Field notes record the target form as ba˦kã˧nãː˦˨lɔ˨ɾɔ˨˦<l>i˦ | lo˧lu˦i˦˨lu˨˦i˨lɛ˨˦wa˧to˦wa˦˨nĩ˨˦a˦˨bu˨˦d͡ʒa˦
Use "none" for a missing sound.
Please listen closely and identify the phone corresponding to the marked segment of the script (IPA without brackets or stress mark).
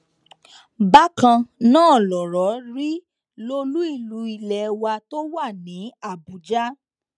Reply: ɾ